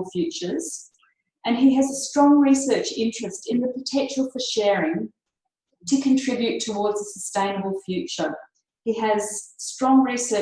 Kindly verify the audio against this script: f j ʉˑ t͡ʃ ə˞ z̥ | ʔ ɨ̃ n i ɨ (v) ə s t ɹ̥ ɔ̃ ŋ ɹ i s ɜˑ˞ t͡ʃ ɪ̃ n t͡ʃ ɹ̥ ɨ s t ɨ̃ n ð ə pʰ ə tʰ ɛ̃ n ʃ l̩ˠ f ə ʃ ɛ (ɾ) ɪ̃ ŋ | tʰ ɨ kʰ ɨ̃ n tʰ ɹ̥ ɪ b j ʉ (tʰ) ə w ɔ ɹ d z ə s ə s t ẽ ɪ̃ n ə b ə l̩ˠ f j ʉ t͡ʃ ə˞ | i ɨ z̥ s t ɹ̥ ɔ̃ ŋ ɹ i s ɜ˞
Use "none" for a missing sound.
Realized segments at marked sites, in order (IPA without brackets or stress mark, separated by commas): z, ɹ, tʰ